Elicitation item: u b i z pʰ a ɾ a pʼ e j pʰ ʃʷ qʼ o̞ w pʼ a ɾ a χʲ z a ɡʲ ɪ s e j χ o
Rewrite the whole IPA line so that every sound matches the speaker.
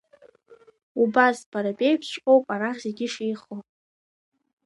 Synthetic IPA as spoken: u b a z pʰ a ɾ a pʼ e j pʰ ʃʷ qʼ o̞ w pʼ a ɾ a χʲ z e ɡʲ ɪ ʂ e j χ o

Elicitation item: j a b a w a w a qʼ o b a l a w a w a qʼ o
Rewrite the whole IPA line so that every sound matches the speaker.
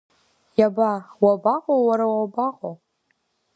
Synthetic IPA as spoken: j a b a w a b a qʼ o w a ɾ a w a b a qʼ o

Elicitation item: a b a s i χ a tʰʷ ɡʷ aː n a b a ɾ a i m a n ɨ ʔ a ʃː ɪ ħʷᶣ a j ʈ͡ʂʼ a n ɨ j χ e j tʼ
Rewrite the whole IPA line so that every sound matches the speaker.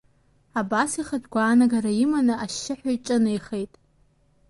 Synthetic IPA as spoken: a b a s i χ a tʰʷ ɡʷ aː n a ɡ a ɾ a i m a n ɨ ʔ a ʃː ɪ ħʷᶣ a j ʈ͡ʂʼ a n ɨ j χ e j tʼ

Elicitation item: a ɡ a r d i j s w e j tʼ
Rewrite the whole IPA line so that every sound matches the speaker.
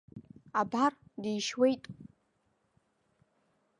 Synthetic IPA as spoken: a b a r d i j ʃ w e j tʼ

